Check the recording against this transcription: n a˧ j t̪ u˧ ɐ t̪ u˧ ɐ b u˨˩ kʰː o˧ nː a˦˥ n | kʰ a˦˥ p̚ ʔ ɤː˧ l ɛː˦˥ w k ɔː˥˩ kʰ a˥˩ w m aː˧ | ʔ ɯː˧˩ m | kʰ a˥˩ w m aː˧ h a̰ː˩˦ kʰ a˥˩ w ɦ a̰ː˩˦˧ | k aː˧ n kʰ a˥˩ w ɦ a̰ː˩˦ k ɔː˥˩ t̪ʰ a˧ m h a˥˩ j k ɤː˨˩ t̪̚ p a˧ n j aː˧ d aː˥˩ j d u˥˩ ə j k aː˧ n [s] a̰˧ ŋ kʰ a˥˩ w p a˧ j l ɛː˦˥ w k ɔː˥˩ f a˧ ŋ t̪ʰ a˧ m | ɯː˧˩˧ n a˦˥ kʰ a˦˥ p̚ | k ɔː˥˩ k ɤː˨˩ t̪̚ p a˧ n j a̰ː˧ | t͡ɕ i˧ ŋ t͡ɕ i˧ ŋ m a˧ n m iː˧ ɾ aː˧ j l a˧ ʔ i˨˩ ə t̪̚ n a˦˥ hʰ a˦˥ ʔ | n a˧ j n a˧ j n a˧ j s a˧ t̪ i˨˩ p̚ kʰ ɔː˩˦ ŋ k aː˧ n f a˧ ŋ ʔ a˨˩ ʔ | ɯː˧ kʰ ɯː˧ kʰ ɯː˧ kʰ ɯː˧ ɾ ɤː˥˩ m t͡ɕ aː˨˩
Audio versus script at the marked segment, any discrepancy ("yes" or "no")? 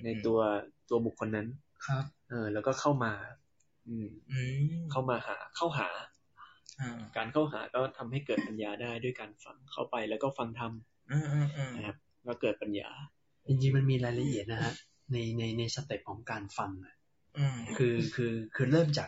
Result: yes